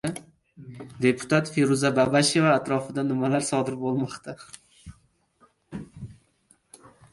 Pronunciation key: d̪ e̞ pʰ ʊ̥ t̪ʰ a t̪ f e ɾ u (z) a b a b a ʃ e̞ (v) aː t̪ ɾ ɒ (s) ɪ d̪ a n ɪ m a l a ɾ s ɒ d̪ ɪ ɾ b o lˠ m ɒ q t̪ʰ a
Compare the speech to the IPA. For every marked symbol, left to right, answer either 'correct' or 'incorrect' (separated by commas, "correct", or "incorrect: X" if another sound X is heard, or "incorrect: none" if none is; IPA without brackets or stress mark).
correct, correct, incorrect: f